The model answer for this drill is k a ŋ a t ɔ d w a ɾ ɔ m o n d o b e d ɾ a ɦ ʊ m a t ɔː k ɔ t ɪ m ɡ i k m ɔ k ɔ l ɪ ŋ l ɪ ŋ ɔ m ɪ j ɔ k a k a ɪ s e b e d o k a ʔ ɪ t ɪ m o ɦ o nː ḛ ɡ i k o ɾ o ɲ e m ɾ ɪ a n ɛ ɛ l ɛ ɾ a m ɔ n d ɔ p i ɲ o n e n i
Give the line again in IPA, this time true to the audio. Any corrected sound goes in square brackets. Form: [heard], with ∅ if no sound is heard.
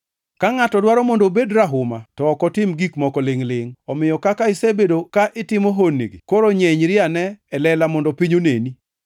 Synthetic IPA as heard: k a ŋ a t ɔ d w a ɾ ɔ m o n d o b e d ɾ a ɦ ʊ m a t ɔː k ɔ t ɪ m ɡ i k m ɔ k ɔ l ɪ ŋ l ɪ ŋ ɔ m ɪ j ɔ k a k a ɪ s e b e d o k a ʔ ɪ t ɪ m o ɦ o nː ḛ ɡ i k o ɾ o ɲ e [ɲ] ɾ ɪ a n ɛ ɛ l ɛ [l] a m ɔ n d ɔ p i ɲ o n e n i

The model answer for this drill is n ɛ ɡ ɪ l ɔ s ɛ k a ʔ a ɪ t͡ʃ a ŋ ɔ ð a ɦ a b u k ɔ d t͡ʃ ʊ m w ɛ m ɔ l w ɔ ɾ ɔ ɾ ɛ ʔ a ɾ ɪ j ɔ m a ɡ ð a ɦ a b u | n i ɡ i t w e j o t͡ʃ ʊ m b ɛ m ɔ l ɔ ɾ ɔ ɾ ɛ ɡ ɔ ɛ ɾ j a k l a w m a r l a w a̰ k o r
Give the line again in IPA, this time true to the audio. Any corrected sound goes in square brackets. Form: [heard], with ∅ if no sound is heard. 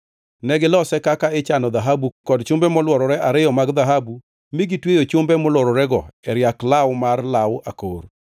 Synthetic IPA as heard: n ɛ ɡ ɪ l ɔ s ɛ k a [k] a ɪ t͡ʃ a [n] ɔ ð a ɦ a b u k ɔ d t͡ʃ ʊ m [b] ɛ m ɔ l w ɔ ɾ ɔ ɾ ɛ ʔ a ɾ ɪ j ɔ m a ɡ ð a ɦ a b u | [m] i ɡ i t w e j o t͡ʃ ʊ m b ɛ m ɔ l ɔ ɾ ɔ ɾ ɛ ɡ ɔ ɛ ɾ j a k l a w m a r l a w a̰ k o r

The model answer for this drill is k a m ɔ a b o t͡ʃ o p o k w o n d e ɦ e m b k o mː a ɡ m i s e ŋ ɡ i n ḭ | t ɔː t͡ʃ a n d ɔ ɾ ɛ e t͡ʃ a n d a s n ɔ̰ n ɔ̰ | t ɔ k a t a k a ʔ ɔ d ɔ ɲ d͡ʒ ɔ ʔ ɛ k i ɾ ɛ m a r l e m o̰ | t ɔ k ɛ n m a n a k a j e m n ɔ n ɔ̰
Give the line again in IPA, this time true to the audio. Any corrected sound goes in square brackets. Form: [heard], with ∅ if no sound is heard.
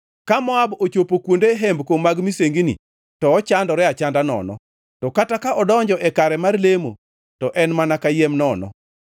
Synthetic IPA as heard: k a m ɔ a b o t͡ʃ o p o k w o n d e ɦ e m b k o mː a ɡ m i s e ŋ ɡ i n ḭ | t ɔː t͡ʃ a n d ɔ ɾ ɛ [a] t͡ʃ a n d a [∅] n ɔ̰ n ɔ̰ | t ɔ k a t a k a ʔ ɔ d ɔ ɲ d͡ʒ ɔ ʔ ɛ k [a] ɾ ɛ m a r l e m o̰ | t ɔ [ʔ] ɛ n m a n a k a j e m n ɔ n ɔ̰

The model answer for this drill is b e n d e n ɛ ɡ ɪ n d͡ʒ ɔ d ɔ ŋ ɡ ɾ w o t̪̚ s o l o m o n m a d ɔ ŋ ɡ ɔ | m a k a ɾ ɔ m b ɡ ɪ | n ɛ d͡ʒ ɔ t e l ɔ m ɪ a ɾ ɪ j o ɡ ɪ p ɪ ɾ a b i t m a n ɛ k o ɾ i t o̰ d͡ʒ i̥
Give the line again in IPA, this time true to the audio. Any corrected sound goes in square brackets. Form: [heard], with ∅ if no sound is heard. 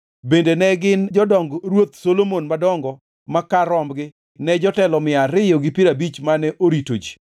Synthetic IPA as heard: b e n d e n ɛ ɡ ɪ n d͡ʒ ɔ d ɔ ŋ ɡ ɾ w o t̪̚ s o l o m o n m a d ɔ ŋ ɡ ɔ | m a k a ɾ ɔ m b ɡ ɪ | n ɛ d͡ʒ ɔ t [ɛ] l ɔ m ɪ a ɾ ɪ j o ɡ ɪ p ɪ ɾ a b i [t͡ʃ] m a n ɛ [ʔ] o ɾ i t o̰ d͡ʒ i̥

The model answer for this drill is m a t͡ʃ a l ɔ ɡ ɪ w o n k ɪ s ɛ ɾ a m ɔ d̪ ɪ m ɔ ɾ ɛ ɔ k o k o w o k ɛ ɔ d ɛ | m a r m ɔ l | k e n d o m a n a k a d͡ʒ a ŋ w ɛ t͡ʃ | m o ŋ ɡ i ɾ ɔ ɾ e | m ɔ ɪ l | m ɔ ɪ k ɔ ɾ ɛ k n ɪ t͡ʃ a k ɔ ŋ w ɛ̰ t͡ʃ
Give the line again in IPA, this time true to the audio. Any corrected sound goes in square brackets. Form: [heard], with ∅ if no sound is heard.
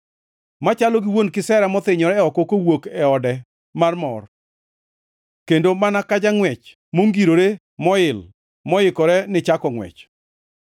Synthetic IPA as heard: m a t͡ʃ a l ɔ ɡ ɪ w o n k ɪ s ɛ ɾ a m ɔ [t̪] ɪ [ɲ] ɔ ɾ ɛ ɔ k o k o w o k ɛ ɔ d ɛ | m a r m ɔ [r] | k e n d o m a n a k a d͡ʒ a ŋ w ɛ t͡ʃ | m o ŋ ɡ i ɾ [o] ɾ e | m ɔ ɪ l | m ɔ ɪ k ɔ ɾ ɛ [∅] n ɪ t͡ʃ a k ɔ ŋ w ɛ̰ t͡ʃ

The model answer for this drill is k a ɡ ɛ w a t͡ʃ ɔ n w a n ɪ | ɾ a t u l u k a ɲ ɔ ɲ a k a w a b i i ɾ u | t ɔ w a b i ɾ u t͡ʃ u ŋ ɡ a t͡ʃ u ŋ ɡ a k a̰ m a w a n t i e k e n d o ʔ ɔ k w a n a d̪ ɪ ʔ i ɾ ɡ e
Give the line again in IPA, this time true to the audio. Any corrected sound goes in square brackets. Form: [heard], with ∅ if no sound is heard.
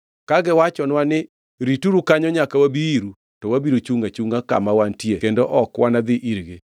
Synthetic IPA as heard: k a ɡ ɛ w a t͡ʃ ɔ n w a n ɪ | ɾ [i] t u [ɾ] u k a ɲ ɔ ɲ a k a w a b i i ɾ u | t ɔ w a b i ɾ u t͡ʃ u ŋ ɡ a t͡ʃ u ŋ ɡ a k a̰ m a w a n t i e k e n d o ʔ ɔ k w a n a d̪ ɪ ʔ i ɾ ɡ e

